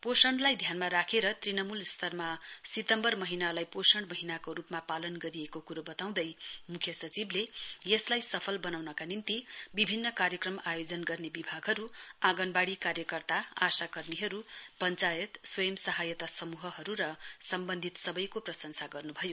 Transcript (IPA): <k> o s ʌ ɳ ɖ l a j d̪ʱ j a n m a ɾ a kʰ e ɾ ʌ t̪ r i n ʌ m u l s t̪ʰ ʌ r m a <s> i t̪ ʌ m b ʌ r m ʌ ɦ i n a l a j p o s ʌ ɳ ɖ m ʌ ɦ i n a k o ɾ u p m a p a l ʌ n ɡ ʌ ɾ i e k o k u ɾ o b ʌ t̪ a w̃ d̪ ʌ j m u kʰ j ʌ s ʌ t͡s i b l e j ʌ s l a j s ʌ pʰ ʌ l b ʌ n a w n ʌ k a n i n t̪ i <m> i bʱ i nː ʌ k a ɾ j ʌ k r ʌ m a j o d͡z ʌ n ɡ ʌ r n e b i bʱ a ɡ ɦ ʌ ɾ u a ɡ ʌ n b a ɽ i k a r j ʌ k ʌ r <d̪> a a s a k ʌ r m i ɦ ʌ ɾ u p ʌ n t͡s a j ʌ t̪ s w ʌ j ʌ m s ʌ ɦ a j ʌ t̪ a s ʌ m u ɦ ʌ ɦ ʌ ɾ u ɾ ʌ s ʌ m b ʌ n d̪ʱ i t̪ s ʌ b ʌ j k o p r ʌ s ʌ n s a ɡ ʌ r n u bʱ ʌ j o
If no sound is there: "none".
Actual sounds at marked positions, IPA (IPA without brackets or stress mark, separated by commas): p, s, b, t̪